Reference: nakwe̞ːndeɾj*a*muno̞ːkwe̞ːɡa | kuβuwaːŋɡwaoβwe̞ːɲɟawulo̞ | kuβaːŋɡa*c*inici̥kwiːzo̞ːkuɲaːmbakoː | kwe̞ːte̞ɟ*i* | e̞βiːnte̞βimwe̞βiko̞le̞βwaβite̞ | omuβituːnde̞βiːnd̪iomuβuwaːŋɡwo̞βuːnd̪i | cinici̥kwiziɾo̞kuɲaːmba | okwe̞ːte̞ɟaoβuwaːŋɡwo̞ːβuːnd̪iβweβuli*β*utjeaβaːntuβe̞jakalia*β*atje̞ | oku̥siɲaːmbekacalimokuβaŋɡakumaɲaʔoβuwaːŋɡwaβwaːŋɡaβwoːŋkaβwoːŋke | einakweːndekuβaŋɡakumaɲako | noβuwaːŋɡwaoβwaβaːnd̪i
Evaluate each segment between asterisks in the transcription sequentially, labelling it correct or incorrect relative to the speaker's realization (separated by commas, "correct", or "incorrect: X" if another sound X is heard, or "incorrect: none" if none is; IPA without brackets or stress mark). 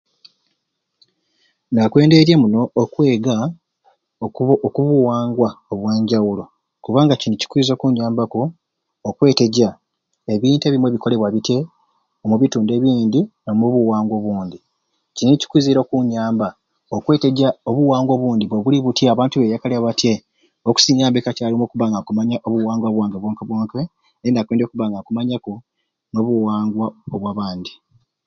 incorrect: e, correct, incorrect: a, correct, correct